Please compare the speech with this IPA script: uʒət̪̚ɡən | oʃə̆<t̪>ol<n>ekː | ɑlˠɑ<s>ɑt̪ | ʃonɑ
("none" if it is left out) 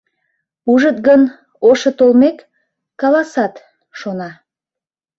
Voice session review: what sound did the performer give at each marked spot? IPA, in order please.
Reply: t̪, m, s

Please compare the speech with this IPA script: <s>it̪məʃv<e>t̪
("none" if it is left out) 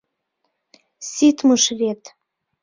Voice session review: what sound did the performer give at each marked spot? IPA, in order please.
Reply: s, e

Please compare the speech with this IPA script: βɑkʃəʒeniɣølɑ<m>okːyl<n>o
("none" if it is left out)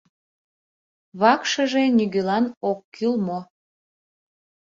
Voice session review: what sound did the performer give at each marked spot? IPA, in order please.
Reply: n, m

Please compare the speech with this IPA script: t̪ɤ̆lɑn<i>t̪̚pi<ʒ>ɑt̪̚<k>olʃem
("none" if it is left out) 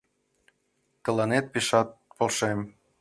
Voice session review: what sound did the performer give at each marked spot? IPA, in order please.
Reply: e, ʃ, p

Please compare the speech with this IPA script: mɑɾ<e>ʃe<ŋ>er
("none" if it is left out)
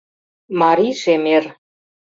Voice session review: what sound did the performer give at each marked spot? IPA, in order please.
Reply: i, m

